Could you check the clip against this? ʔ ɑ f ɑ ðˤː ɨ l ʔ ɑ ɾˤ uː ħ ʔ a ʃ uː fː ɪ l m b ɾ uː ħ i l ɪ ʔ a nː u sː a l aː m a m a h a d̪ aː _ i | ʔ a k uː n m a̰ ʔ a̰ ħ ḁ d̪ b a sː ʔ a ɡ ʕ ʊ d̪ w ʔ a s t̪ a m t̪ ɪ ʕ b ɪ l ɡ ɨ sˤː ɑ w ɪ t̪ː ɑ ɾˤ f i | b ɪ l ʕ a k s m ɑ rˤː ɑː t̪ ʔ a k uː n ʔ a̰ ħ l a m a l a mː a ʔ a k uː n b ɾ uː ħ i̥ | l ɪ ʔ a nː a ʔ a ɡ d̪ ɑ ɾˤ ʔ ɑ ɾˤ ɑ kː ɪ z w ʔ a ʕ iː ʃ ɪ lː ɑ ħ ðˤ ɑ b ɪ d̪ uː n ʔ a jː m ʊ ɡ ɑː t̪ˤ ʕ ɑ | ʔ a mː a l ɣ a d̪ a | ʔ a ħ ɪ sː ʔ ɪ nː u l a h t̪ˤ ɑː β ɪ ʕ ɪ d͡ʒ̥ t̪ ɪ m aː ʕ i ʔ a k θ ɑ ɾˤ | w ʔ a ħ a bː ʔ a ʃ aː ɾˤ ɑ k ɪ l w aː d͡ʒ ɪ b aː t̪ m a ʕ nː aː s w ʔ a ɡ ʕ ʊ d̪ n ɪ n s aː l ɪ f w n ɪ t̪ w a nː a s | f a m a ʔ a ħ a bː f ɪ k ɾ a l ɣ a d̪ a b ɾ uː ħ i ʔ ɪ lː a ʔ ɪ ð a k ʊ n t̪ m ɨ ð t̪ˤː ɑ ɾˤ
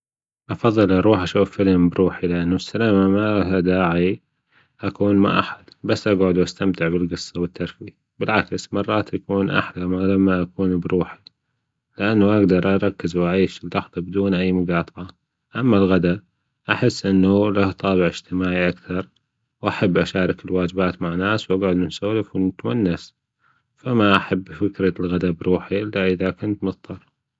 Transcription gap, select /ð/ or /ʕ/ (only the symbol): ʕ